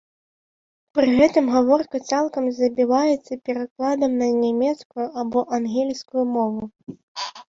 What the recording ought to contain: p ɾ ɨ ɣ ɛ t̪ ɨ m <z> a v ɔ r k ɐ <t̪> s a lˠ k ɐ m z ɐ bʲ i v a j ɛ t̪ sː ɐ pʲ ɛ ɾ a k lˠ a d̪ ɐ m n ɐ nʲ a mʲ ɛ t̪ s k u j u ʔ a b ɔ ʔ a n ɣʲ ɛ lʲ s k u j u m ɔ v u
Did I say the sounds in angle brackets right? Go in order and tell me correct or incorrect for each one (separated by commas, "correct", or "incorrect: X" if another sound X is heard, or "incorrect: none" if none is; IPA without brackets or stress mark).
incorrect: ɣ, correct